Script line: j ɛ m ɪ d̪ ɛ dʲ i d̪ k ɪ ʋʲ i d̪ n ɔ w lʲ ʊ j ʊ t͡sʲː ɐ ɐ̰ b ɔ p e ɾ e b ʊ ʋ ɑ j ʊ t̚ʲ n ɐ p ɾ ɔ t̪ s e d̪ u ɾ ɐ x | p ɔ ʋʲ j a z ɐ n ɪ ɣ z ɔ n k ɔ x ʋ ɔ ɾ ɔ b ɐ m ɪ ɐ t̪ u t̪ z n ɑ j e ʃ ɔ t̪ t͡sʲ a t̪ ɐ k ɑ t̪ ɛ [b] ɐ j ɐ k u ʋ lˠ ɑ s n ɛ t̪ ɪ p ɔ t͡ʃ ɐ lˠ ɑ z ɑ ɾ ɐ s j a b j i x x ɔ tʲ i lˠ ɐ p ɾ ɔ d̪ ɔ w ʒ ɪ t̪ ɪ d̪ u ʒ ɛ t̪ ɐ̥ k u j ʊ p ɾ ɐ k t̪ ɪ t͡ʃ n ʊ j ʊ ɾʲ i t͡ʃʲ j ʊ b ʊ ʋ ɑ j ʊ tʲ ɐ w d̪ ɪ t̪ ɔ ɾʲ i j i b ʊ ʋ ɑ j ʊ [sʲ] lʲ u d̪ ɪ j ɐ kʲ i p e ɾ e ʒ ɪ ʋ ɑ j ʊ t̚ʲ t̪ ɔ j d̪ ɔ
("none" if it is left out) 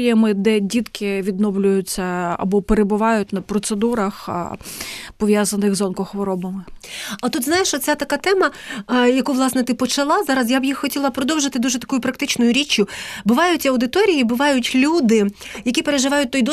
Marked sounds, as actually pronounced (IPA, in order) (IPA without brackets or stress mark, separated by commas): m, tʲ